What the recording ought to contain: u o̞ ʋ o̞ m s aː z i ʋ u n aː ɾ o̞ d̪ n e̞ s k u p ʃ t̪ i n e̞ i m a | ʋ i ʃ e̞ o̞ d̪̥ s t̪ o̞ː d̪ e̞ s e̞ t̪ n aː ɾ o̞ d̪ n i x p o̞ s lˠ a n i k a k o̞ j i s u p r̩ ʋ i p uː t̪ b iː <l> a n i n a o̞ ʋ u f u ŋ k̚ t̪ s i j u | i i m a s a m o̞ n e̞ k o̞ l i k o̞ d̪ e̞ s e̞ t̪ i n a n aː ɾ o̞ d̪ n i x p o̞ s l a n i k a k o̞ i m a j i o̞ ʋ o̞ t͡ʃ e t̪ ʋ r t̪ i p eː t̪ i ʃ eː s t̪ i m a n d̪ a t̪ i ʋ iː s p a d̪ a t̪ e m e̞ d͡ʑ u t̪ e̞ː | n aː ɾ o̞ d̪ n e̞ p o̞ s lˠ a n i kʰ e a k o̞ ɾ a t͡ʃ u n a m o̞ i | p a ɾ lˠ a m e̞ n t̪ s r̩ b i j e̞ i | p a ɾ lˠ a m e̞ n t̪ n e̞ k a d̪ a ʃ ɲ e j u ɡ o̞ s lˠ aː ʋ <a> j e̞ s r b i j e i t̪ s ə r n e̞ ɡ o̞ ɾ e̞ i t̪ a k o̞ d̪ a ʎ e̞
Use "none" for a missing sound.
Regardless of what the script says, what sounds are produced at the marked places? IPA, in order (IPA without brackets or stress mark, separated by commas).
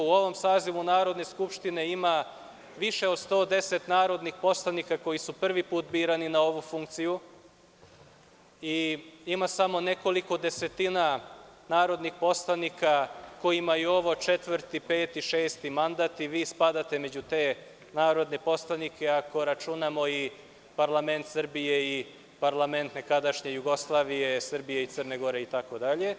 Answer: ɾ, i